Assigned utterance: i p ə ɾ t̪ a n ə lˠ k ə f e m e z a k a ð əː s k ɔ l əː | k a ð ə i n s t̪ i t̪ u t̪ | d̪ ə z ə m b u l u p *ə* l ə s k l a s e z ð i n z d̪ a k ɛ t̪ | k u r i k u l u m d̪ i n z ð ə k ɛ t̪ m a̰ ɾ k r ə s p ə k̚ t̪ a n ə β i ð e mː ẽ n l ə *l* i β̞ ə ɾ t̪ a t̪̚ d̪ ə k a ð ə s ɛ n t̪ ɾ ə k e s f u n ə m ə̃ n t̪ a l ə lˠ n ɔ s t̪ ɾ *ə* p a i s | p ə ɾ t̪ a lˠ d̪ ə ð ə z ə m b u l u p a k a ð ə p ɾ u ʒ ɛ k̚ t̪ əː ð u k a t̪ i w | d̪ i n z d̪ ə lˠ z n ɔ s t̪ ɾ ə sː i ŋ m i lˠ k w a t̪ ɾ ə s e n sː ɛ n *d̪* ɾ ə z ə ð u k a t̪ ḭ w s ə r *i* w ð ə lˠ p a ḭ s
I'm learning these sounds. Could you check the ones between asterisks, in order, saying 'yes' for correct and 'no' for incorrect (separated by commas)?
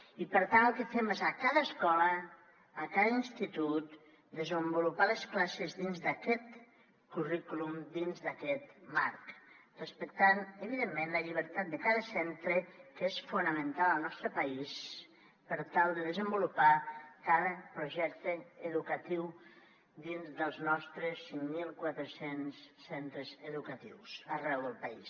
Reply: no, no, yes, no, no